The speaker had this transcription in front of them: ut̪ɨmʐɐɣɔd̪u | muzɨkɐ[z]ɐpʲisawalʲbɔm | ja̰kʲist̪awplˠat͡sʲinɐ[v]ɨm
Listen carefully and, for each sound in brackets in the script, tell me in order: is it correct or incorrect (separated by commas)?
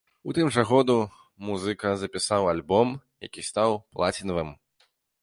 correct, correct